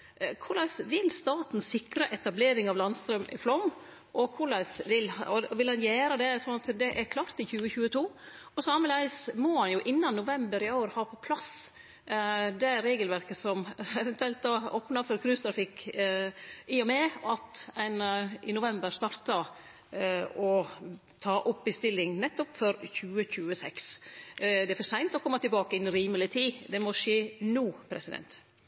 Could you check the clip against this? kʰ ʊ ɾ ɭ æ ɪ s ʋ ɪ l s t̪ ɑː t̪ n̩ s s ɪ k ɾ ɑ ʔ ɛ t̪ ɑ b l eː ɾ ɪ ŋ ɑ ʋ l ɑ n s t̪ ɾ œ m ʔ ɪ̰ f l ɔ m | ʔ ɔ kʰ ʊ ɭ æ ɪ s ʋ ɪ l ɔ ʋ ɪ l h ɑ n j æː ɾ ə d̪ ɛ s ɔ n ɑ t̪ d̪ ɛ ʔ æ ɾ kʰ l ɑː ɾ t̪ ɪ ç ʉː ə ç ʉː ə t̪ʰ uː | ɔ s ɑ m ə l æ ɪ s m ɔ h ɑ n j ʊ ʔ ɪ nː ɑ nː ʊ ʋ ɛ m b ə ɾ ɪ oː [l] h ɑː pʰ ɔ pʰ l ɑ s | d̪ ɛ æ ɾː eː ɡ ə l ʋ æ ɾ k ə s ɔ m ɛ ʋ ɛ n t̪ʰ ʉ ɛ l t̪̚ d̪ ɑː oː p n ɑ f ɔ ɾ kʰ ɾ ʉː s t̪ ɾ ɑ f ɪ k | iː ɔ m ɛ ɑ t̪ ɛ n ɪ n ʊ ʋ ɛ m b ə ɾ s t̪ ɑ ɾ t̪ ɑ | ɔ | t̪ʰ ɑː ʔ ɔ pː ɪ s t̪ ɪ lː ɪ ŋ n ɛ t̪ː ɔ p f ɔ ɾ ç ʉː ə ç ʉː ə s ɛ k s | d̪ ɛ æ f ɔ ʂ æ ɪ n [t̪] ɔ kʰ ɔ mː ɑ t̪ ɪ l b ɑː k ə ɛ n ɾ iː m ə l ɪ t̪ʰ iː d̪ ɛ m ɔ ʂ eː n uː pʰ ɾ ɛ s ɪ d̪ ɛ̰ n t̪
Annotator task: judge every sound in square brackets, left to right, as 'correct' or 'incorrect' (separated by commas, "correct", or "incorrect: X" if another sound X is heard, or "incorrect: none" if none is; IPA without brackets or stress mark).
incorrect: ɾ, correct